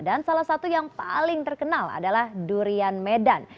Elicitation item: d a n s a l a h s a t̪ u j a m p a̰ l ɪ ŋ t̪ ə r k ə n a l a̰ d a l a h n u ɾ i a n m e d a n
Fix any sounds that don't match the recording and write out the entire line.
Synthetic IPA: d a n s a l a h s a t̪ u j a ŋ p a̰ l ɪ ŋ t̪ ə r k ə n a l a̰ d a l a h d u ɾ i a n m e d a n